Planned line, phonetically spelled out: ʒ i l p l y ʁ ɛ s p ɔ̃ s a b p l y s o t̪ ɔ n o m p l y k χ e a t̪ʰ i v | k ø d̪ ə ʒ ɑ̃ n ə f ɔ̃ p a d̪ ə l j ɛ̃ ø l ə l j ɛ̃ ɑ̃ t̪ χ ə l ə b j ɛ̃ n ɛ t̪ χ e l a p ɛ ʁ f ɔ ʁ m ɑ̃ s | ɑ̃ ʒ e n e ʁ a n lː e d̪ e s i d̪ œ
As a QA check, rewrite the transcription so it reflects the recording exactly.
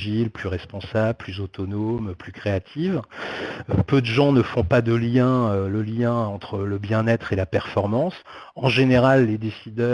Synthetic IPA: ʒ i l p l y ʁ ɛ s p ɔ̃ s a b p l y z o t̪ ɔ n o m p l y k χ e a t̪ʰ i v | p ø d̪ ə ʒ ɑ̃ n ə f ɔ̃ p a d̪ ə l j ɛ̃ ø l ə l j ɛ̃ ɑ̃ t̪ χ ə l ə b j ɛ̃ n ɛ t̪ χ e l a p ɛ ʁ f ɔ ʁ m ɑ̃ s | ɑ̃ ʒ e n e ʁ a lː e d̪ e s i d̪ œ